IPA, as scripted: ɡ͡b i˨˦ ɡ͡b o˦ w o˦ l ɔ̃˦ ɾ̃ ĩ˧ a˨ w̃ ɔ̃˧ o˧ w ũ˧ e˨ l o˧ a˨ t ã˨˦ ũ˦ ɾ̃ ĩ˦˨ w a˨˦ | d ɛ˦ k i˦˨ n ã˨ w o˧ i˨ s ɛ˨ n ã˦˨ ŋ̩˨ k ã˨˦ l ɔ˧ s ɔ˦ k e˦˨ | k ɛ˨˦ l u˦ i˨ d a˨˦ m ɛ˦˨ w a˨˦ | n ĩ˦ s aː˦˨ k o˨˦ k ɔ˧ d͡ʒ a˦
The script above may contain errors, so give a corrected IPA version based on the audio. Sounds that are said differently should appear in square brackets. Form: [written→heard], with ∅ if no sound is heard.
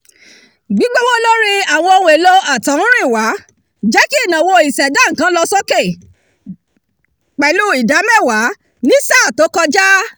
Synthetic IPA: ɡ͡b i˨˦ ɡ͡b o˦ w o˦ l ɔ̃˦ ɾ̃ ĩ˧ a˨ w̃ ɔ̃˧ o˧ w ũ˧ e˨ l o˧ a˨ t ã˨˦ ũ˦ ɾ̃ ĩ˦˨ w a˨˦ | [d→d͡ʒ] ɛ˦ k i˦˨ n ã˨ w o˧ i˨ s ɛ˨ [n→d] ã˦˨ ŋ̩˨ k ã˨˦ l ɔ˧ s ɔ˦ k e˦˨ | [k→k͡p] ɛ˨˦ l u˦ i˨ d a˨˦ m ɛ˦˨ w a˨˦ | n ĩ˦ s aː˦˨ [k→t] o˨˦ k ɔ˧ d͡ʒ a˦